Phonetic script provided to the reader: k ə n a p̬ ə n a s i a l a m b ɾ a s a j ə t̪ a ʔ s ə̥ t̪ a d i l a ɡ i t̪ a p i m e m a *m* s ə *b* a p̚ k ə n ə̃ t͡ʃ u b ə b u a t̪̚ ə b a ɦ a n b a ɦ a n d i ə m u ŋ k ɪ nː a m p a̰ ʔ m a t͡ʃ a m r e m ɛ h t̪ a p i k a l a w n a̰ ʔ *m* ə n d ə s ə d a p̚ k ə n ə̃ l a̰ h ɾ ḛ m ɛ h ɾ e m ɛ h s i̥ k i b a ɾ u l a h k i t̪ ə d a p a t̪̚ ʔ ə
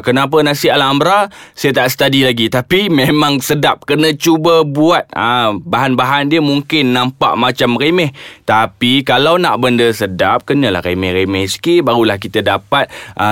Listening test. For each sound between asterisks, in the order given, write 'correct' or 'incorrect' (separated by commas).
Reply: incorrect, incorrect, incorrect